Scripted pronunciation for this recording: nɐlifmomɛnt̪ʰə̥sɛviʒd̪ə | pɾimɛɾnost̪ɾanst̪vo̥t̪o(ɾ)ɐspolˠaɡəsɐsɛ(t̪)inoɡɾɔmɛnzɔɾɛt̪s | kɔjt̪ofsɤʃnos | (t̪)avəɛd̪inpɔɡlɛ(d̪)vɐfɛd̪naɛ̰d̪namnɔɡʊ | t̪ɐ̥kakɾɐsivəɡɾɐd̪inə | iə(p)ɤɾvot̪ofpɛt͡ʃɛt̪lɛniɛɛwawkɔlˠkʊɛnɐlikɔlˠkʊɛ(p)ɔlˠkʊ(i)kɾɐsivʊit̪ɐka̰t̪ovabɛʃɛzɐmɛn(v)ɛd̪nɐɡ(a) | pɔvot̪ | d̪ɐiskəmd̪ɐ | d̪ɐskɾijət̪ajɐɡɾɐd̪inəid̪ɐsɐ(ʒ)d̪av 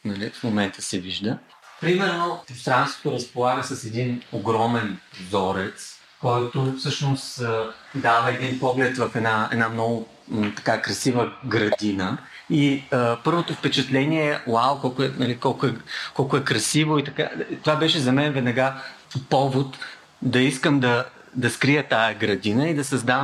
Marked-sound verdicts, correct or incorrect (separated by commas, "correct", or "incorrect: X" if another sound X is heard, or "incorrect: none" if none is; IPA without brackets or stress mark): correct, incorrect: d̪, incorrect: d̪, incorrect: t̪, correct, incorrect: k, incorrect: ɛ, correct, correct, incorrect: z